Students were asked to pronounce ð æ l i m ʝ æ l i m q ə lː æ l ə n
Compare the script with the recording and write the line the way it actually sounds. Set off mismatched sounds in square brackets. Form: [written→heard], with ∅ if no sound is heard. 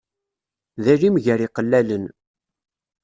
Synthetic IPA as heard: ð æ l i m ʝ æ [l→ɾ] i [m→∅] q ə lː æ l ə n